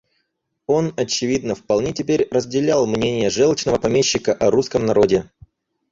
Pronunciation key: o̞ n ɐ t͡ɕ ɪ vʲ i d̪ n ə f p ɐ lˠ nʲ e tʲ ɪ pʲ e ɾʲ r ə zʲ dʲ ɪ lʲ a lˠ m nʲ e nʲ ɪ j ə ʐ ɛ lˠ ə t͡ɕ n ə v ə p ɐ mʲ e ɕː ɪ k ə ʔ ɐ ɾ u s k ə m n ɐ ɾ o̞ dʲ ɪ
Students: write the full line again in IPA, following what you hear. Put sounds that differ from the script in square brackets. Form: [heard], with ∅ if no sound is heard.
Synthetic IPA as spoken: o̞ n ɐ t͡ɕ ɪ vʲ i d̪ n ə f p ɐ lˠ nʲ e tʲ ɪ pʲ e ɾʲ r ə zʲ dʲ ɪ lʲ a lˠ m nʲ e nʲ ɪ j ə ʐ ɛ lˠ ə t͡ɕ n ə v ə p ɐ mʲ e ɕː ɪ k ə ʔ ɐ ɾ u s k ə m n ɐ ɾ o̞ dʲ ɪ